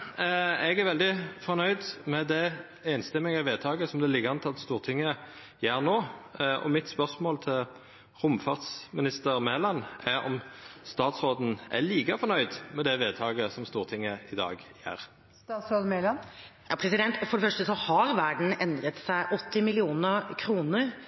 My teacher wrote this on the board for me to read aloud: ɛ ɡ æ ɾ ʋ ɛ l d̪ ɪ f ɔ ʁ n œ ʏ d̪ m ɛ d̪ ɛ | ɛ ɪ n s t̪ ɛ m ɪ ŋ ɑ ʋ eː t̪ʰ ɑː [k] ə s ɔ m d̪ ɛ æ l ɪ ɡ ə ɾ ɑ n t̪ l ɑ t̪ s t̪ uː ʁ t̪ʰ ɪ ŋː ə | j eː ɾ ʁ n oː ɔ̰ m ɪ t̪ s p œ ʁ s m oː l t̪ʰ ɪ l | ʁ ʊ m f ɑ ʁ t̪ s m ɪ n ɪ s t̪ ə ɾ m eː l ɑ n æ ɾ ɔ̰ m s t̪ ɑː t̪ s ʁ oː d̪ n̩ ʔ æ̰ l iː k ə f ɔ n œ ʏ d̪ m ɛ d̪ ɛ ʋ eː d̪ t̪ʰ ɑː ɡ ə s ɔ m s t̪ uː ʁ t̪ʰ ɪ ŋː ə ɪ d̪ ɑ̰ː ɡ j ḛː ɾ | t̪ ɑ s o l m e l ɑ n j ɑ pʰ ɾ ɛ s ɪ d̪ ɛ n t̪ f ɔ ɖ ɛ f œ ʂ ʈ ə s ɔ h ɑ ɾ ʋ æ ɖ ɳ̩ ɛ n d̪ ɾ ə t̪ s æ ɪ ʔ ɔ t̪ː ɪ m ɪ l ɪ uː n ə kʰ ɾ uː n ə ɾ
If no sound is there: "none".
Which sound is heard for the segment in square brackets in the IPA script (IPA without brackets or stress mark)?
ɡ